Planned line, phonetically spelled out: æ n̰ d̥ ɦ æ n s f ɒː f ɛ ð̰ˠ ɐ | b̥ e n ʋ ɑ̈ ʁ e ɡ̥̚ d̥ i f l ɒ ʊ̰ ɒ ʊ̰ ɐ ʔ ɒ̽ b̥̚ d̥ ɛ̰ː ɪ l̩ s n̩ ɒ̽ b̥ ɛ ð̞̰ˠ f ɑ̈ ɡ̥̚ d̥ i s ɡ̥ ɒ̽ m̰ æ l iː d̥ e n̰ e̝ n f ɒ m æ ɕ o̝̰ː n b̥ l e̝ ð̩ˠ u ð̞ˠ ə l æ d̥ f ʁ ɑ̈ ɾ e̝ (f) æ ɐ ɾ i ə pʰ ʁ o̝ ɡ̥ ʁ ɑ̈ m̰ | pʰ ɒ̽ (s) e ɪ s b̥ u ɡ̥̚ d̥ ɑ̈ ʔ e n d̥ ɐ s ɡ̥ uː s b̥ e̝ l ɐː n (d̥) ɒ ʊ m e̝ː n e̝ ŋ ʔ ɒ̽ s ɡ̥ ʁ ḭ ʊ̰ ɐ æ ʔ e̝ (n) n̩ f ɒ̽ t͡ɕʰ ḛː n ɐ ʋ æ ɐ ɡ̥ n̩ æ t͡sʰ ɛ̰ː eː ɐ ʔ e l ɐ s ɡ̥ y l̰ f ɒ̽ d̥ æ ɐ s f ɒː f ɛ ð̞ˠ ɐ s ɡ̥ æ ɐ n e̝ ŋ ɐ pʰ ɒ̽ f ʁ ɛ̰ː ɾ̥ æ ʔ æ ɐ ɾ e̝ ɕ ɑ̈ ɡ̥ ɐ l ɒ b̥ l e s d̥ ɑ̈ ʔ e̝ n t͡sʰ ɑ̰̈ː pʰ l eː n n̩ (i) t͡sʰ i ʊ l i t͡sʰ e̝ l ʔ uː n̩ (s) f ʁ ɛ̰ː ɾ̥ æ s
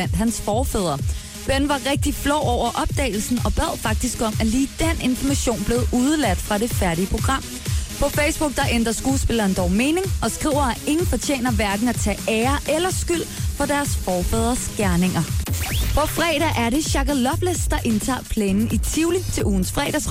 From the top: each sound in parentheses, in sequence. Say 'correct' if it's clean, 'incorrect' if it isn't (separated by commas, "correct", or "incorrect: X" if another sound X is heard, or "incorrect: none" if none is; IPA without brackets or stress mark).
correct, incorrect: f, correct, incorrect: ŋ, correct, correct